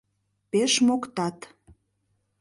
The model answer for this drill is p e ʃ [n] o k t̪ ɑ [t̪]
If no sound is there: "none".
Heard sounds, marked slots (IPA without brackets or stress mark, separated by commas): m, t̪